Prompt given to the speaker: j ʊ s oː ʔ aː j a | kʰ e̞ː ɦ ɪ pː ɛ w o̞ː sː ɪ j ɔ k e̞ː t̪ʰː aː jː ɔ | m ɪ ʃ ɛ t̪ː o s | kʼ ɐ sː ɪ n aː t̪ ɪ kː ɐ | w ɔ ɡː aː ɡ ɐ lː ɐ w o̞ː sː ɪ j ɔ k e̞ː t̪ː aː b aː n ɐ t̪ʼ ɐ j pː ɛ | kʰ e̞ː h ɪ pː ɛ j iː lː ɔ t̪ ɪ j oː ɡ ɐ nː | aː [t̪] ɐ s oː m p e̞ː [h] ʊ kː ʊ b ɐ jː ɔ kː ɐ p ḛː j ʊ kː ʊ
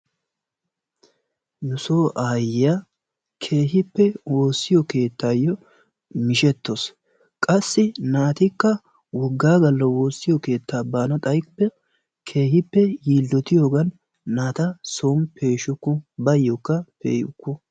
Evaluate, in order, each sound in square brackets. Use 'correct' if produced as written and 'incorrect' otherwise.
correct, incorrect

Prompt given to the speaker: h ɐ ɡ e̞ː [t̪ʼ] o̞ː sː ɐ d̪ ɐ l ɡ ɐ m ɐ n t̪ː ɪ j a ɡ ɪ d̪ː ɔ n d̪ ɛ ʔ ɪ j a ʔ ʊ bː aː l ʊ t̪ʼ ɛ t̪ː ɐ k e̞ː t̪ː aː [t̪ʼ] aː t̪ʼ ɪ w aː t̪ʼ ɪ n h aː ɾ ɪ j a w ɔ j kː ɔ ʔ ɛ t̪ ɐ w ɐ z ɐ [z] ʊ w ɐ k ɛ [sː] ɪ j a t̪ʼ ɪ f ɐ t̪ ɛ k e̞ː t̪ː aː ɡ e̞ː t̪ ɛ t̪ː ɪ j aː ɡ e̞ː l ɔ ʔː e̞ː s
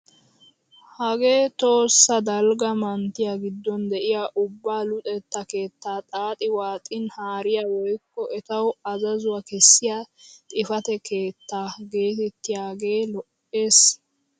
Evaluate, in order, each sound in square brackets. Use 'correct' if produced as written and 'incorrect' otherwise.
incorrect, correct, correct, correct

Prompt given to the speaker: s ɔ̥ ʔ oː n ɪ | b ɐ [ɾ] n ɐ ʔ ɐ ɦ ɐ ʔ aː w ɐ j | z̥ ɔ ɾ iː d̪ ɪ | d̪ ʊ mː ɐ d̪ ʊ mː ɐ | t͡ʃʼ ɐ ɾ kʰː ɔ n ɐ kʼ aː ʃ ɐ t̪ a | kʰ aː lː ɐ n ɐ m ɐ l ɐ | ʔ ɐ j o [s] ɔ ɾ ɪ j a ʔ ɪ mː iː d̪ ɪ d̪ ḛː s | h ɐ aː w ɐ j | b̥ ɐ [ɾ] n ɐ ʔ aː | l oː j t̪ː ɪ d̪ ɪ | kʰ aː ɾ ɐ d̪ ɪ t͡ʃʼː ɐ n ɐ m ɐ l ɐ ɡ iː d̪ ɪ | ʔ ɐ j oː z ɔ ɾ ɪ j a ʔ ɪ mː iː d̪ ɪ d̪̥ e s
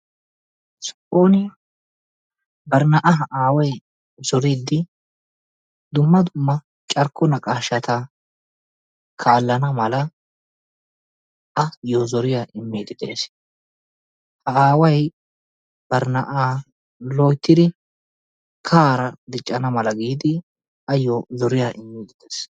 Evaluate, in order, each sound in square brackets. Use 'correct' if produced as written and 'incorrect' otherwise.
correct, incorrect, correct

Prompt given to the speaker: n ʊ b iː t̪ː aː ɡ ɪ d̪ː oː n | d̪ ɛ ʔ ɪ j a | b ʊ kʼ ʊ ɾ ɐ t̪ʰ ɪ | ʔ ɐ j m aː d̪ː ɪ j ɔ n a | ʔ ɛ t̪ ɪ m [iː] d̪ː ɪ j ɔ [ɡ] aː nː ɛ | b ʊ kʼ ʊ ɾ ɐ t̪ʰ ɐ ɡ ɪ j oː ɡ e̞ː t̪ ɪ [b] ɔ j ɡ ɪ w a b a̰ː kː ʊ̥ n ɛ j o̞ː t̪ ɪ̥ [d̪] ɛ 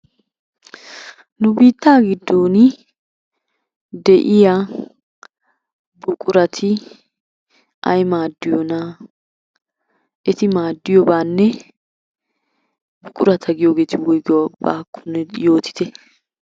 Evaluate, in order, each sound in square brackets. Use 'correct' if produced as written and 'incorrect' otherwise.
incorrect, incorrect, incorrect, incorrect

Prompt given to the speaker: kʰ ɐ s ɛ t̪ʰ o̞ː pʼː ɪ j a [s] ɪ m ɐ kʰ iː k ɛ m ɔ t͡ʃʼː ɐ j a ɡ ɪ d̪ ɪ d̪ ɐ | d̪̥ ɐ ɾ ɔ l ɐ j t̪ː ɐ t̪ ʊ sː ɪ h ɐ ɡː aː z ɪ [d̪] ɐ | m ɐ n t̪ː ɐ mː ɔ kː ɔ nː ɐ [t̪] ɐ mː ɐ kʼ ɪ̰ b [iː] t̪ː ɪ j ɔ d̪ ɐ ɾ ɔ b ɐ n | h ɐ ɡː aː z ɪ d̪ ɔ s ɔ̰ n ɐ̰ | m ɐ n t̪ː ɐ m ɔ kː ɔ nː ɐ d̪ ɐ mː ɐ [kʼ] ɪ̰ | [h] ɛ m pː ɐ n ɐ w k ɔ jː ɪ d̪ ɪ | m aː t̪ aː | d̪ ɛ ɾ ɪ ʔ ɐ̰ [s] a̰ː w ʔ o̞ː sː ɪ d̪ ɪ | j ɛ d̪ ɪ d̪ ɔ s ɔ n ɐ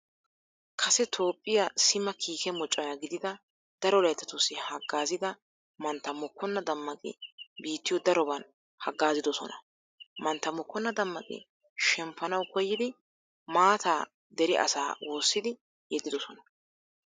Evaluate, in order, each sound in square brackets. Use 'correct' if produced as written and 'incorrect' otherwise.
correct, correct, incorrect, correct, correct, incorrect, correct

